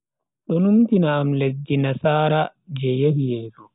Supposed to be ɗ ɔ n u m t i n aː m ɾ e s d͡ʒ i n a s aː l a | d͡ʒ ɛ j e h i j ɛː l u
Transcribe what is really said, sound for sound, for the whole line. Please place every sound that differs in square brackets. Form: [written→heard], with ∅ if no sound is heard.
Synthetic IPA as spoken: ɗ ɔ n u m t i n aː m [ɾ→l] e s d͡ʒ i n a s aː [l→ɾ] a | d͡ʒ ɛ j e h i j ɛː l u